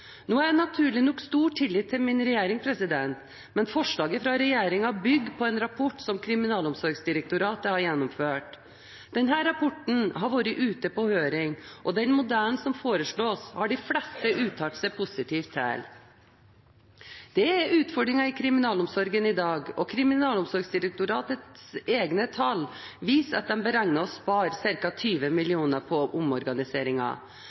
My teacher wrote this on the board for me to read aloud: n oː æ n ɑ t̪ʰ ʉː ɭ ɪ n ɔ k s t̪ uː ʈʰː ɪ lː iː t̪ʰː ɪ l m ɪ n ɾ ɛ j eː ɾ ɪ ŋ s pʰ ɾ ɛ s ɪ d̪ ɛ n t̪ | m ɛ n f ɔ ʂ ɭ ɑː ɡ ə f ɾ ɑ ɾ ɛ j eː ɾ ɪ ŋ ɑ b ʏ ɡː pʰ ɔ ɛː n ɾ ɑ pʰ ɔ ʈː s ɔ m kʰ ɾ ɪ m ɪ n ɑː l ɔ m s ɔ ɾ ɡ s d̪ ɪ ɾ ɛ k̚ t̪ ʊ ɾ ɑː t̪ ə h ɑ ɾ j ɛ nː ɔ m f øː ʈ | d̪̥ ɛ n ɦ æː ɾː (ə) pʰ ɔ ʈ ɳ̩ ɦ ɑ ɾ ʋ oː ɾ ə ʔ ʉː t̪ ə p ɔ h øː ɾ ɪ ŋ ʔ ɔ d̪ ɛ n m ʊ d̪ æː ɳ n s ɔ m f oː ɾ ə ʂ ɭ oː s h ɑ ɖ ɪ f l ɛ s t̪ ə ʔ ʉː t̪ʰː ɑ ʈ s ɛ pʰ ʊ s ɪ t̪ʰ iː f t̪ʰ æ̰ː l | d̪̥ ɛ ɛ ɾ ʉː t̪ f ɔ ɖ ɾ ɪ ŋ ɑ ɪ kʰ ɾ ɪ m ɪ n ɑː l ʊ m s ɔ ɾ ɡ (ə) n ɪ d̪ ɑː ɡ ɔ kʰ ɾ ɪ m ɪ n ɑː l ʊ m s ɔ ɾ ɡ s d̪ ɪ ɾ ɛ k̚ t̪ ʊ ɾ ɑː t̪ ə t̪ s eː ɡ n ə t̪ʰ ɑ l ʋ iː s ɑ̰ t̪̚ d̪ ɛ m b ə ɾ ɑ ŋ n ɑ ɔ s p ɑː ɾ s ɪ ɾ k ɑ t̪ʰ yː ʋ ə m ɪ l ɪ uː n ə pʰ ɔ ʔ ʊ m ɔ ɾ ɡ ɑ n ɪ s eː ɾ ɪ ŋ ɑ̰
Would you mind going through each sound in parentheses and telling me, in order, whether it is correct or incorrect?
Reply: incorrect: ɑ, correct

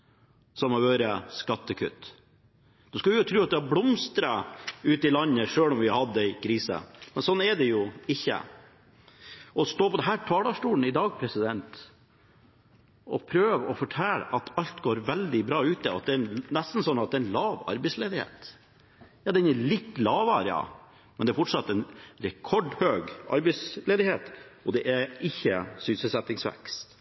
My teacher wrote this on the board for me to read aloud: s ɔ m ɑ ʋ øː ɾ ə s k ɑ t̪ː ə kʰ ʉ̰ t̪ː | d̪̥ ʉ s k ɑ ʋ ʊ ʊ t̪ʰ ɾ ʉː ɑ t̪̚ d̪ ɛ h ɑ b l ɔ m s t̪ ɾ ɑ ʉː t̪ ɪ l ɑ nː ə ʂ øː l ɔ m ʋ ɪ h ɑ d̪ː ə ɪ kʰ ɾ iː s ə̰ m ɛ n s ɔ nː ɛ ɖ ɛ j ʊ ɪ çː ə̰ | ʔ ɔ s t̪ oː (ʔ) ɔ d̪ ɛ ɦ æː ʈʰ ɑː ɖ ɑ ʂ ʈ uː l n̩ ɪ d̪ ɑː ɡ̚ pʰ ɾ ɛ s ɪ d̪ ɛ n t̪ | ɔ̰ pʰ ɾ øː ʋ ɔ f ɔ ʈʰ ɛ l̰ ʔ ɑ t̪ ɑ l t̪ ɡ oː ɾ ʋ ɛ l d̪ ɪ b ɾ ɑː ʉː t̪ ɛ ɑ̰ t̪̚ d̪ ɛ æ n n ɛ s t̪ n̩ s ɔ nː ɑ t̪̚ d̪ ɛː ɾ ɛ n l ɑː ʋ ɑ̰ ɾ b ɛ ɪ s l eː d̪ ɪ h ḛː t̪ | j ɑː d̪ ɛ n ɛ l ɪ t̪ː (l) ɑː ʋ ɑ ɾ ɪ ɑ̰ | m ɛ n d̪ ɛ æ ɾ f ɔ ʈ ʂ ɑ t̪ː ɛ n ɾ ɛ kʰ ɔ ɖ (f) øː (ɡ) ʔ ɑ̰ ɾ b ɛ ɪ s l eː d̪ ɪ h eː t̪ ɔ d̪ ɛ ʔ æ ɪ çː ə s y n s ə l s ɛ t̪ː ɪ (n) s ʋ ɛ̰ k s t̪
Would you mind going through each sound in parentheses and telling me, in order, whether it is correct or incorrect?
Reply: incorrect: p, correct, incorrect: h, correct, incorrect: ŋ

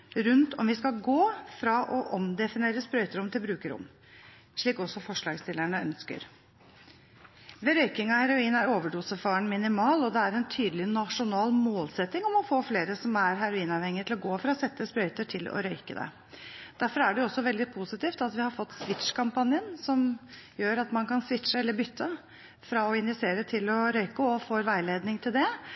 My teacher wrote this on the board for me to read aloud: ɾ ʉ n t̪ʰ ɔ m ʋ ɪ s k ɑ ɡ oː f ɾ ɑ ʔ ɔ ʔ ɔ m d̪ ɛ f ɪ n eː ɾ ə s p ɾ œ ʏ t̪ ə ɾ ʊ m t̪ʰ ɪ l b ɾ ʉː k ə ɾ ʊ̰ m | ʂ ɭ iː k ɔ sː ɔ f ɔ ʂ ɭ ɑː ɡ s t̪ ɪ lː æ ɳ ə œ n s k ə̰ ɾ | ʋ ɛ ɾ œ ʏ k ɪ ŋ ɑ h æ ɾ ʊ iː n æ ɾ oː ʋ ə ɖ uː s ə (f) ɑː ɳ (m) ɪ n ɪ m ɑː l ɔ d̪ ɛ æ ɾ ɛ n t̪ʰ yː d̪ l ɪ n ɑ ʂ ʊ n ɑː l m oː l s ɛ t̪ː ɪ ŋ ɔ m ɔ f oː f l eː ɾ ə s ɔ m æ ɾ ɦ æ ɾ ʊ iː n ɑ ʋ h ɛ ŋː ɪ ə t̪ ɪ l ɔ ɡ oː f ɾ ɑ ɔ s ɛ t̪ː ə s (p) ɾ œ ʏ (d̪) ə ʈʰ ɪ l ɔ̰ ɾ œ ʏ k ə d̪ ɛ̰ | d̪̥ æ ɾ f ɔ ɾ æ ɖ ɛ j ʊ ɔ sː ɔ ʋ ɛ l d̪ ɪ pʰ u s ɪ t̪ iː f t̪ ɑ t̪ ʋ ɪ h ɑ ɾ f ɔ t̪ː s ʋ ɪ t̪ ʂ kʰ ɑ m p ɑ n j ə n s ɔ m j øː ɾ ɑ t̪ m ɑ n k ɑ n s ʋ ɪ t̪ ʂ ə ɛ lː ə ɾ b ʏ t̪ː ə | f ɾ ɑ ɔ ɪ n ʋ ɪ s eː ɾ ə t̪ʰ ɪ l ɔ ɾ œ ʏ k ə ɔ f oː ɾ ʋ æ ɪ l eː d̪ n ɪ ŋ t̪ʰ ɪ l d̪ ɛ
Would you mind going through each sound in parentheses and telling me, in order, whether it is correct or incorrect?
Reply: correct, correct, correct, incorrect: t̪

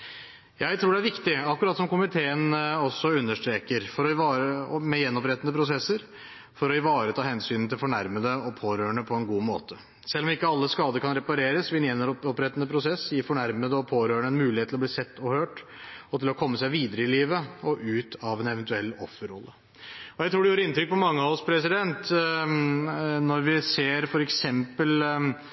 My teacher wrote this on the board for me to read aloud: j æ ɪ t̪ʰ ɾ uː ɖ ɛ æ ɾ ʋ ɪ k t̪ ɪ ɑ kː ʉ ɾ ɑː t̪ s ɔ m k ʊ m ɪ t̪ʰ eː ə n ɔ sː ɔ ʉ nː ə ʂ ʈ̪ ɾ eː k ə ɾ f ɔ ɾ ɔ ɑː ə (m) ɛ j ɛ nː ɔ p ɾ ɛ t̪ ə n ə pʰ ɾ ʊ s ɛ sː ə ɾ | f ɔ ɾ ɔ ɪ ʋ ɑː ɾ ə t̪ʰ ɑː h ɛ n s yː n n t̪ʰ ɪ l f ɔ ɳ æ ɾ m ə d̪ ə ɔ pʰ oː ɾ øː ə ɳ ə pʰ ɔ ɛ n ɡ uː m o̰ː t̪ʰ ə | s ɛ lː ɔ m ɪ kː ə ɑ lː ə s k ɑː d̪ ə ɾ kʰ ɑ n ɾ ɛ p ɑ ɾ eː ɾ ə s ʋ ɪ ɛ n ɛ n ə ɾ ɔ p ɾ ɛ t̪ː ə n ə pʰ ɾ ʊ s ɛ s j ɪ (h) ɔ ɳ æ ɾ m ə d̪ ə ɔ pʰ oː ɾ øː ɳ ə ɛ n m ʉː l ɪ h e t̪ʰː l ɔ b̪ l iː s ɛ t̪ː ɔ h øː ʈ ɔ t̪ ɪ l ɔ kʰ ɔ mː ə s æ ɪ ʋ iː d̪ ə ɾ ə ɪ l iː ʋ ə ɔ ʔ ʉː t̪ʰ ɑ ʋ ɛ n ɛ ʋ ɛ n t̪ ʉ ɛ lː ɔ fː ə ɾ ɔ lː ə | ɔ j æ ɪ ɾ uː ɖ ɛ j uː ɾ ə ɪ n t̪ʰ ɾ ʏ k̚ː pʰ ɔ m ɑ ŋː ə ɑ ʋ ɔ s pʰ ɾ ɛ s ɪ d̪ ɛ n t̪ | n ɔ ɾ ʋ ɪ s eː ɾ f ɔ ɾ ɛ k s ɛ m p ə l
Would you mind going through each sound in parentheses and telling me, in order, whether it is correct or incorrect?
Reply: correct, incorrect: f

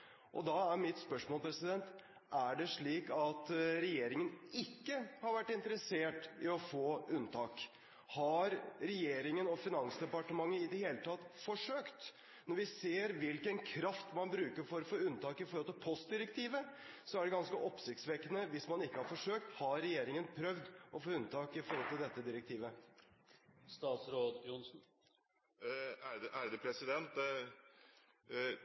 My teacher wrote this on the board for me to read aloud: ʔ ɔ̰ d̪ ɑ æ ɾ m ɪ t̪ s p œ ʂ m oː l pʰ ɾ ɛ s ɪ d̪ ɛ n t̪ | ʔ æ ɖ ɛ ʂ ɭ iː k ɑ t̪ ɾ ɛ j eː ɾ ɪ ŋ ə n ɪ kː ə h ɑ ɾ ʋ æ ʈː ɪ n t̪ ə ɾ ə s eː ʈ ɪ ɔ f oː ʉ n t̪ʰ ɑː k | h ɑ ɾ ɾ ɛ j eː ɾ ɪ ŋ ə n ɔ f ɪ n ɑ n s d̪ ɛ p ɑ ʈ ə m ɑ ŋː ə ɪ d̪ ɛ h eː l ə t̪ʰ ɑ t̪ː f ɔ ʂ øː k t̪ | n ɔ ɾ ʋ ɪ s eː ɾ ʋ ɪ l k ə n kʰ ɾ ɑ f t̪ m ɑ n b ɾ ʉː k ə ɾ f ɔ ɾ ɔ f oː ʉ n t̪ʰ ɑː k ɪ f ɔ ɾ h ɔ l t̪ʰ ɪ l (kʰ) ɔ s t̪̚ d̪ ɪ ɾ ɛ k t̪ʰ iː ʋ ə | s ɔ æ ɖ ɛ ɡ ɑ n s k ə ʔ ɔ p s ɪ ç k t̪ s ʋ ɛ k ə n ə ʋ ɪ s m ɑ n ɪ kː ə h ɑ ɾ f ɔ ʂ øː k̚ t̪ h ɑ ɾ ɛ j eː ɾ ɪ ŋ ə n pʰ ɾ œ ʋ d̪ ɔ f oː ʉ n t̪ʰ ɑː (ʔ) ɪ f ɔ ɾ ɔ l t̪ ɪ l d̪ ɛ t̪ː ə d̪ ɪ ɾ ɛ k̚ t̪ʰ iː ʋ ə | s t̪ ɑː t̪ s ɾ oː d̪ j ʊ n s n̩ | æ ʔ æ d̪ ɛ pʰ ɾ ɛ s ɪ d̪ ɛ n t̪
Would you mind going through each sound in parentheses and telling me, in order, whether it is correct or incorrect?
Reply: incorrect: pʰ, incorrect: k

